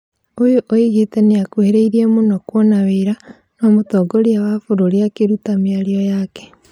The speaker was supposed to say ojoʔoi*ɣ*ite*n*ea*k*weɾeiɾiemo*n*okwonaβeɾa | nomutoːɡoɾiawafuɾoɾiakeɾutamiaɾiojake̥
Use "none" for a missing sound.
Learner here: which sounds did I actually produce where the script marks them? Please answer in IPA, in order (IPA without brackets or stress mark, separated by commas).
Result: ɣ, n, k, n